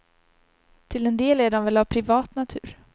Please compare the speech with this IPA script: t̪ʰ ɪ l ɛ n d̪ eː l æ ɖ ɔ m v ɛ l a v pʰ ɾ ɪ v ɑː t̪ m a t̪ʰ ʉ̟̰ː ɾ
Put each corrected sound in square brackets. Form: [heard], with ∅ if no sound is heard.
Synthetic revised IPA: t̪ʰ ɪ l ɛ n d̪ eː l æ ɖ ɔ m v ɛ l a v pʰ ɾ ɪ v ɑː t̪ [n] a t̪ʰ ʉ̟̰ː ɾ